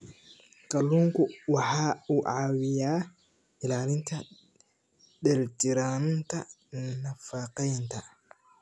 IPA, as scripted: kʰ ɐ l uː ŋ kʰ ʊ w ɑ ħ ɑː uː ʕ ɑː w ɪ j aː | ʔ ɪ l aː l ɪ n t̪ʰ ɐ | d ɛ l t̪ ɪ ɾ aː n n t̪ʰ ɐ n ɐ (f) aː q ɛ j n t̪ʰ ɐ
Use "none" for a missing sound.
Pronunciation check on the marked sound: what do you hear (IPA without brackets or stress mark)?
f